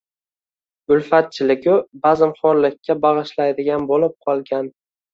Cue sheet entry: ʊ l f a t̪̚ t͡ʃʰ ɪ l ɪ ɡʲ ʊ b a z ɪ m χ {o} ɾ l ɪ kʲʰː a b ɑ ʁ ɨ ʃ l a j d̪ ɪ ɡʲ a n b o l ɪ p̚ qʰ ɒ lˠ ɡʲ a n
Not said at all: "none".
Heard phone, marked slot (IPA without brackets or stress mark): ɒ